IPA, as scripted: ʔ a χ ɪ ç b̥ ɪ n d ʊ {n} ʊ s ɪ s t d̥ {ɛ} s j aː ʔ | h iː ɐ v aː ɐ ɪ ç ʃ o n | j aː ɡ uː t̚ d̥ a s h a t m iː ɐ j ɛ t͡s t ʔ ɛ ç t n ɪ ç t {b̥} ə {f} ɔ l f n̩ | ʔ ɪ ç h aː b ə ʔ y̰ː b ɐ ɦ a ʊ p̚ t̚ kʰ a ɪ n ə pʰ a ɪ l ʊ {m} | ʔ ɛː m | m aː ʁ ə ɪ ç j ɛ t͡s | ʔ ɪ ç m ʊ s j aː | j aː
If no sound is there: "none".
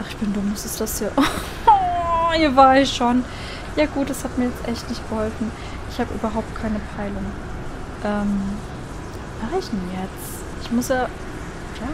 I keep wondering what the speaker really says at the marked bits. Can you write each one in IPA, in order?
m, a, ɡ̥, h, ŋ

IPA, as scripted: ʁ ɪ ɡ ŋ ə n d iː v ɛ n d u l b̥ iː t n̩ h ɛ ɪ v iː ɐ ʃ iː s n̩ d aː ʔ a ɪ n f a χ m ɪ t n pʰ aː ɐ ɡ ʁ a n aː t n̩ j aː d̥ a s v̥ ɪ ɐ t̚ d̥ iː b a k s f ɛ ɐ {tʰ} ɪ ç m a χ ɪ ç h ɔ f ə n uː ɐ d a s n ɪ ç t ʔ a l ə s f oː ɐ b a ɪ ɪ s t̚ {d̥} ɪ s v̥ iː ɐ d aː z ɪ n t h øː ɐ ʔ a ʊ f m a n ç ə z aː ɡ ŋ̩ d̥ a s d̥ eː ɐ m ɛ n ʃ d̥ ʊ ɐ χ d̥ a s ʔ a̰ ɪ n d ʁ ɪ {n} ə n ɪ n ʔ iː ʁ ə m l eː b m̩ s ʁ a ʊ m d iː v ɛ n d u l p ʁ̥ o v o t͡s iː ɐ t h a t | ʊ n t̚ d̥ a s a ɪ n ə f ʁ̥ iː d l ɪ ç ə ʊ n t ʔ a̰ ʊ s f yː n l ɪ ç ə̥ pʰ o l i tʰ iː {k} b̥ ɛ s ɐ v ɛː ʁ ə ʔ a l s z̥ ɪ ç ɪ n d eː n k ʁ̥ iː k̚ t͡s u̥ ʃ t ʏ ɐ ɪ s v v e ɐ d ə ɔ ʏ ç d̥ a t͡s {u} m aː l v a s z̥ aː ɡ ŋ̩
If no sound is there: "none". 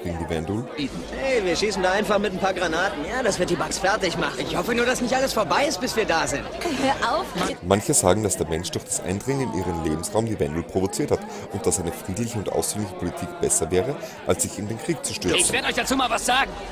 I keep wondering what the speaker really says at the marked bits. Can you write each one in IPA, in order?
t, b̥, ŋ, k, uː

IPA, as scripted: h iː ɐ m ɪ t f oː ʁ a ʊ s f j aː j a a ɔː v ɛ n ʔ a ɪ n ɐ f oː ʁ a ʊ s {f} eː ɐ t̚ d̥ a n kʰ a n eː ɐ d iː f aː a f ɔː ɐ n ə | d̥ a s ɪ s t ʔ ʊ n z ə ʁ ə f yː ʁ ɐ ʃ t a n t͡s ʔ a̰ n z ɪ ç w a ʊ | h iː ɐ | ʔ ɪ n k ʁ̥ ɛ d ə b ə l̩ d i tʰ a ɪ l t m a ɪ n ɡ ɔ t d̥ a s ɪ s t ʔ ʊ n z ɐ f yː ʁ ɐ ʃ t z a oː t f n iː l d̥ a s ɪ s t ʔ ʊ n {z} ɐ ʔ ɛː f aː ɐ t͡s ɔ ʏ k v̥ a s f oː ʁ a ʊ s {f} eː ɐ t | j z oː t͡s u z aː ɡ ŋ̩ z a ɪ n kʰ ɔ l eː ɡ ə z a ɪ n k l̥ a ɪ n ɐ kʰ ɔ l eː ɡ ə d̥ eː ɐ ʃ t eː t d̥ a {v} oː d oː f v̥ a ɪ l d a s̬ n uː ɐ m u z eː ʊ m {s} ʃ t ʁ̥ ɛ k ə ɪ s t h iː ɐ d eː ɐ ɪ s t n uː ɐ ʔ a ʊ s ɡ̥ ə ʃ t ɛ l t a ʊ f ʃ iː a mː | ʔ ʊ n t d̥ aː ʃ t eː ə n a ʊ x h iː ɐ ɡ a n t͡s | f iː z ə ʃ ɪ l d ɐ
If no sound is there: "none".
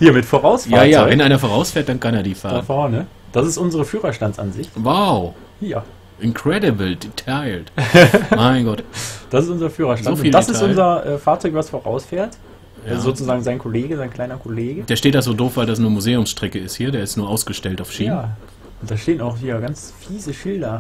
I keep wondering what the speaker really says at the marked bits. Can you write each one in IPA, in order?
f, z, f, z, s

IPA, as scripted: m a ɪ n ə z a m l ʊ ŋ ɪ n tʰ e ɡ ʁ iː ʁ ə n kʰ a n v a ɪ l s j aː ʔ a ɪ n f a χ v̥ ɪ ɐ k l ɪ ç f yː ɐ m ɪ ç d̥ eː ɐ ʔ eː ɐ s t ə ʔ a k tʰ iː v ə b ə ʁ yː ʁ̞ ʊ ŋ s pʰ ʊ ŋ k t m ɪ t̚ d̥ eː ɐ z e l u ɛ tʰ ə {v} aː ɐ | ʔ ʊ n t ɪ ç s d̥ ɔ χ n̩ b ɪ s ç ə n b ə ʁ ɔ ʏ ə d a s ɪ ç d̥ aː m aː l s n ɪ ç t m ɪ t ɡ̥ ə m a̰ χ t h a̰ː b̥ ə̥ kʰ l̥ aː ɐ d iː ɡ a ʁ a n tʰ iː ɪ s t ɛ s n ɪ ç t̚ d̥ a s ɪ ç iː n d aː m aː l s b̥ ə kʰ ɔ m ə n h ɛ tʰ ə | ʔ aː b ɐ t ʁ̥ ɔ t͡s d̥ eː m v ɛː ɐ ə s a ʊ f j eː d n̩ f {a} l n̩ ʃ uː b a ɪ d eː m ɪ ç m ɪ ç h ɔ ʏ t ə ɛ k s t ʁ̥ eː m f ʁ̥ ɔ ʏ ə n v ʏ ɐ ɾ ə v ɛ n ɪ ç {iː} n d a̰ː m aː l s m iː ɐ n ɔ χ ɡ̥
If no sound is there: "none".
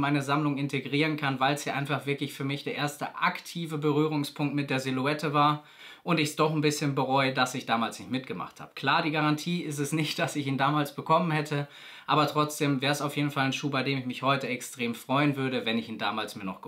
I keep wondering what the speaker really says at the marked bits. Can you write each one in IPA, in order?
v, a, iː

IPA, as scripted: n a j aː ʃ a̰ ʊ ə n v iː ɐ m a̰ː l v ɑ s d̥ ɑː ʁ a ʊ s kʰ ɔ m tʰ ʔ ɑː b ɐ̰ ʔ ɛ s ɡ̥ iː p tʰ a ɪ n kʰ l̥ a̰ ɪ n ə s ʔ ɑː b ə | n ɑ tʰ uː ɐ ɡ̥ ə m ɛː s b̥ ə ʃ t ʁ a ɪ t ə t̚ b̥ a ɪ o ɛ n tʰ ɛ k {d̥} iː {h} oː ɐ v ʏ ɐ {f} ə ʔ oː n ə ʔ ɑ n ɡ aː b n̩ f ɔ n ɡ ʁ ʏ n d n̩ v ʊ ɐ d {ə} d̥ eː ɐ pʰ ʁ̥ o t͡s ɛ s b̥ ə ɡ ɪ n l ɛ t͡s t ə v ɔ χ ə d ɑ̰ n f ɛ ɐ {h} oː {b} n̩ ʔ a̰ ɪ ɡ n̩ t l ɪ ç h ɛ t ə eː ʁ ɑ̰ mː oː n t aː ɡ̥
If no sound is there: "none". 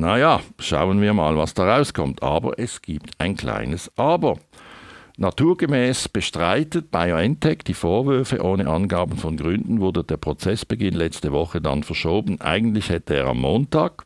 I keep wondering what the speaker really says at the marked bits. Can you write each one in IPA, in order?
d̥, f, f, ə, ʃ, b

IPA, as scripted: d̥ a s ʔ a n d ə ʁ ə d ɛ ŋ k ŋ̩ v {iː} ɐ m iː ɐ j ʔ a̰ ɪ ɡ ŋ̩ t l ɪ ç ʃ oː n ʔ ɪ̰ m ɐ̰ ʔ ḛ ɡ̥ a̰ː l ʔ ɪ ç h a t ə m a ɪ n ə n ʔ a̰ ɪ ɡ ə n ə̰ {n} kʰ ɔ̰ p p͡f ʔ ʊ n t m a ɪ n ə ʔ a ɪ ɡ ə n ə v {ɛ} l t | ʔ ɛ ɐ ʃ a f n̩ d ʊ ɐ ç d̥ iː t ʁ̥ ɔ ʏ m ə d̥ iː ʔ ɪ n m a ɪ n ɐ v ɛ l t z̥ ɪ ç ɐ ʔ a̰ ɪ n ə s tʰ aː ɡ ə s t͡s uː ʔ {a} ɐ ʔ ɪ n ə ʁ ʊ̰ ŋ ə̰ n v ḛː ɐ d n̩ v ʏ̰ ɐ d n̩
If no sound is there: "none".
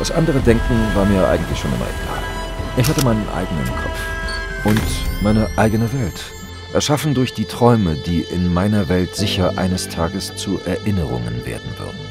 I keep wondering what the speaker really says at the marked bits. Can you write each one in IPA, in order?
aː, n, ɛ, ɛ

